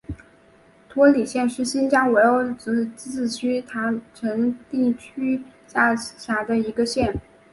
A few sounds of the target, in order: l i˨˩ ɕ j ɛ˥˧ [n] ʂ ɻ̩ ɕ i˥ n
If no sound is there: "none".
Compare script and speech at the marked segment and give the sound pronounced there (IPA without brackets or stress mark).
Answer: n